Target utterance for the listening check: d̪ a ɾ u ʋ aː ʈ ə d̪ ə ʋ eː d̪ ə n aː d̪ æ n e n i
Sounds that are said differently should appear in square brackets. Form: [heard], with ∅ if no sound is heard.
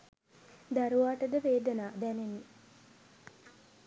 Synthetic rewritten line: d̪ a ɾ u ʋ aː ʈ ə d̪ ə ʋ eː d̪ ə n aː d̪ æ n e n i